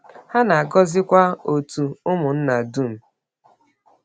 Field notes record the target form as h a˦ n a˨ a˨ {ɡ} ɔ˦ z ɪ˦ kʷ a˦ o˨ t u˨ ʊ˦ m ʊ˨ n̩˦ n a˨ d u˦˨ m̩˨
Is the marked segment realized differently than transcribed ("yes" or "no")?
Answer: no